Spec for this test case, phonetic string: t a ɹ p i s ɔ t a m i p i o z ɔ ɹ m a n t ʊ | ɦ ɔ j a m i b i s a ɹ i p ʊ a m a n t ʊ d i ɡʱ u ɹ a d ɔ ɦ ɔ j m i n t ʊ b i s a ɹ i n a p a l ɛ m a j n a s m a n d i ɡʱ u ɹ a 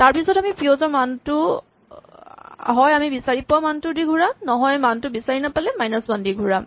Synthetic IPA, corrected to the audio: t a ɹ p i s ɔ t a m i p i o z ɔ ɹ m a n t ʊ | ɦ ɔ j a m i b i s a ɹ i p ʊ a m a n t ʊ d i ɡʱ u ɹ a n ɔ ɦ ɔ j m a n t ʊ b i s a ɹ i n a p a l ɛ m a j n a s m a n d i ɡʱ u ɹ a